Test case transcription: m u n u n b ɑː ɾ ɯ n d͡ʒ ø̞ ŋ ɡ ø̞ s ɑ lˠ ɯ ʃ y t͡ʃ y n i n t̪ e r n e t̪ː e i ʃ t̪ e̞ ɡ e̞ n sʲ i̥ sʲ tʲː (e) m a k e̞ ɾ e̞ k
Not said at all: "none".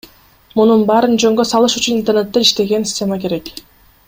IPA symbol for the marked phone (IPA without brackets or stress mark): e